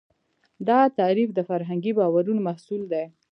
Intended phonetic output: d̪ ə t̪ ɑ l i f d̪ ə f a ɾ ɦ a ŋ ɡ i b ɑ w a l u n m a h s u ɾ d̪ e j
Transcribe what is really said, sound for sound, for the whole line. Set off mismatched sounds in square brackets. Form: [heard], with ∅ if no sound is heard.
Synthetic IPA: d̪ [ɑ] t̪ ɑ [ɾ] i f d̪ ə f a ɾ ɦ a ŋ ɡ i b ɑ w a [ɾ] u n m a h s u [l] d̪ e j